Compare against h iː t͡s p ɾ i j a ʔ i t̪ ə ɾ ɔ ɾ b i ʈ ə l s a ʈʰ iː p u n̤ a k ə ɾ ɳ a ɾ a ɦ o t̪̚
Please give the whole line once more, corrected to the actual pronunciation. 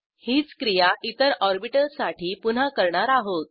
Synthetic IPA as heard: h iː t͡s k ɾ i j a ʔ i t̪ ə ɾ ɔ ɾ b i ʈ ə l s a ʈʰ iː p u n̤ a k ə ɾ ɳ a ɾ a ɦ o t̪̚